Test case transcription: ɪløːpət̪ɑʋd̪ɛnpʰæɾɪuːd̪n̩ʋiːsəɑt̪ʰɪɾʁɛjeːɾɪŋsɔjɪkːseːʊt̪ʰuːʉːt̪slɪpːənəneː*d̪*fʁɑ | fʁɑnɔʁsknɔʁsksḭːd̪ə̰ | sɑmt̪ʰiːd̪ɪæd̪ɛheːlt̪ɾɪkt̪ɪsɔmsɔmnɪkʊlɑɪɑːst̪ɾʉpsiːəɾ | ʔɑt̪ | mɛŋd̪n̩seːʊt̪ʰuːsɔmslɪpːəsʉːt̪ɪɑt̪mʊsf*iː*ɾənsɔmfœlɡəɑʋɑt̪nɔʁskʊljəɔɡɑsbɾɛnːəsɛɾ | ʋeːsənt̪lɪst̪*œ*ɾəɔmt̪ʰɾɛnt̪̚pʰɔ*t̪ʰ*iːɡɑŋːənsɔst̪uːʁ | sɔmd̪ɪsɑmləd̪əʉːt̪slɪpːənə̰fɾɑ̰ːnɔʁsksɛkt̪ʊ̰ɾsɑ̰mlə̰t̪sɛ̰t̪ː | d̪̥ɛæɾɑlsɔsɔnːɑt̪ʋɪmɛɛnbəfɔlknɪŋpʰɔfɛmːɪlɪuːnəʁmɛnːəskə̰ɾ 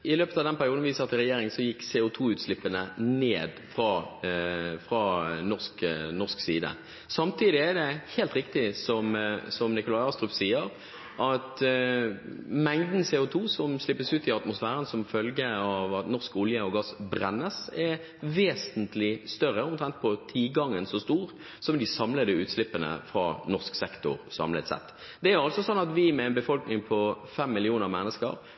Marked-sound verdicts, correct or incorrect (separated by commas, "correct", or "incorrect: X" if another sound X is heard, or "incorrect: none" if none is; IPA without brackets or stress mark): correct, incorrect: æː, correct, correct